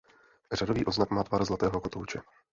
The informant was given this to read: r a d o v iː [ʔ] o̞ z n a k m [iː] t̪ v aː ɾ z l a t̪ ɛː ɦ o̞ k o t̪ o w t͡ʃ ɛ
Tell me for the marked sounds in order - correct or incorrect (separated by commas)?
correct, incorrect